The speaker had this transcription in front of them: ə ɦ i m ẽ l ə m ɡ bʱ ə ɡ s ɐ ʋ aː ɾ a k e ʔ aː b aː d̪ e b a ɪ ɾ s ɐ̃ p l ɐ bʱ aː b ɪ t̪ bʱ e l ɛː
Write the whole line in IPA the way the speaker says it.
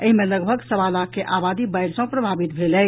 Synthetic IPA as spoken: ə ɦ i m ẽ l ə ɡ bʱ ə ɡ s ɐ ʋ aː l a k e ʔ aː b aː d̪ i b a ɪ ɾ s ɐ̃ p ɾ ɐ bʱ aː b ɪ t̪ bʱ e l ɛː